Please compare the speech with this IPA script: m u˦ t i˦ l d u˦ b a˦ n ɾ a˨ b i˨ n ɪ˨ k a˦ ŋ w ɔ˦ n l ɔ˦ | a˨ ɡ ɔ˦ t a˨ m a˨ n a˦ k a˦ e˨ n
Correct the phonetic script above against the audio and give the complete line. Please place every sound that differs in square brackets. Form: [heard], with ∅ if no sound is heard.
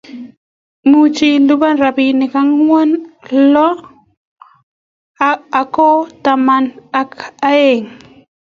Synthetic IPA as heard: m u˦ [t͡ʃ] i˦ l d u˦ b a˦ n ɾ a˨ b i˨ n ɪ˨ k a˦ ŋ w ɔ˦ n l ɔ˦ | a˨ [k] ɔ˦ t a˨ m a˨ n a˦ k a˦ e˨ [ŋ]